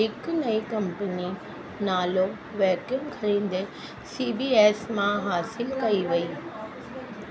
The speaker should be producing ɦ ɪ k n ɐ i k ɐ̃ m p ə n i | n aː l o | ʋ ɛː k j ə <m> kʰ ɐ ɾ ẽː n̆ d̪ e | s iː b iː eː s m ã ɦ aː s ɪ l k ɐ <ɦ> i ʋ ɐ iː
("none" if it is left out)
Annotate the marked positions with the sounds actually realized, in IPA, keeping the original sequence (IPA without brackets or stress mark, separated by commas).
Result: m, none